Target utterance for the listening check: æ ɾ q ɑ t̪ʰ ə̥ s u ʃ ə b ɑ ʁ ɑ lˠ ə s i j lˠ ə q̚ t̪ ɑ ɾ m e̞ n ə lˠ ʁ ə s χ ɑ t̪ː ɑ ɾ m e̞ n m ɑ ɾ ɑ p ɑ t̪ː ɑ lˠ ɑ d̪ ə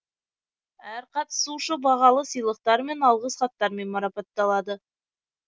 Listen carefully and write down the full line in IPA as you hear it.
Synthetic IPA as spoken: æ ɾ q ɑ t̪ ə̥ s u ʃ ə b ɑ ʁ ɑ lˠ ə s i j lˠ ə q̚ t̪ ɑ ɾ m e̞ n ɑ lˠ ʁ ə s χ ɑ t̪ː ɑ ɾ m e̞ n m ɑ ɾ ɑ p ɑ t̪ː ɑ lˠ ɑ d̪ ə